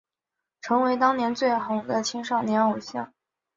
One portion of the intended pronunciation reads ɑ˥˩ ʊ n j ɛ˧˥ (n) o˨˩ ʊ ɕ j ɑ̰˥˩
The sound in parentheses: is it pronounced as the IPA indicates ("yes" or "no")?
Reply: yes